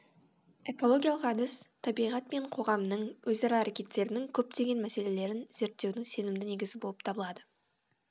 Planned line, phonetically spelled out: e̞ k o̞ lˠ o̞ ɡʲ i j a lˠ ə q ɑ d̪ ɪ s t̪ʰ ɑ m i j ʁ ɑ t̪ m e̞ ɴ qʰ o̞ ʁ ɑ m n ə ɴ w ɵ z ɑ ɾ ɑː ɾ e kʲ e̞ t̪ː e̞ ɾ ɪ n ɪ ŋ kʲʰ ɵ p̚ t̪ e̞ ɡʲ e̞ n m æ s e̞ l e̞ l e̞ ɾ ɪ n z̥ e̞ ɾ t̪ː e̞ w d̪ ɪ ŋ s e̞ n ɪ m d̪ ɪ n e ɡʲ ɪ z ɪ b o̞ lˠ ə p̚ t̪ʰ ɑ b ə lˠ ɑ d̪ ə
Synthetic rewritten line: e̞ k o̞ lˠ o̞ ɡʲ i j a lˠ ə q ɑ d̪ ɪ s t̪ʰ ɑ b i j ʁ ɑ t̪ m e̞ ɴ qʰ o̞ ʁ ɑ m n ə ɴ w ɵ z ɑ ɾ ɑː ɾ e kʲ e̞ t̪ː e̞ ɾ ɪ n ɪ ŋ kʲʰ ɵ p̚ t̪ e̞ ɡʲ e̞ n m æ s e̞ l e̞ l e̞ ɾ ɪ n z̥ e̞ ɾ t̪ː e̞ w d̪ ɪ ŋ s e̞ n ɪ m d̪ ɪ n e ɡʲ ɪ z ɪ b o̞ lˠ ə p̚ t̪ʰ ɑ b ə lˠ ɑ d̪ ə